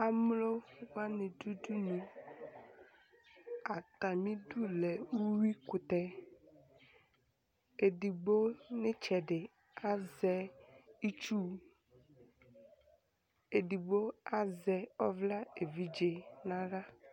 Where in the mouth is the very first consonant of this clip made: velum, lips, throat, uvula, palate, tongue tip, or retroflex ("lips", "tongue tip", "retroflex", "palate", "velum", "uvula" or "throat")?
lips